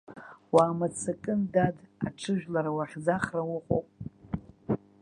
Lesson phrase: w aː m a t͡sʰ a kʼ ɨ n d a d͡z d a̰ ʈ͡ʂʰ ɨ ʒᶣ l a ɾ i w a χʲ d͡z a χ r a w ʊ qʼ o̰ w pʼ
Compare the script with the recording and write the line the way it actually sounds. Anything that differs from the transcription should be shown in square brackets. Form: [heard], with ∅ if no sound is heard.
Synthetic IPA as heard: w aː m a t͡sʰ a kʼ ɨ n d a [∅] d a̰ ʈ͡ʂʰ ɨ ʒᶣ l a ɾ [a] w a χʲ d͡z a χ r a w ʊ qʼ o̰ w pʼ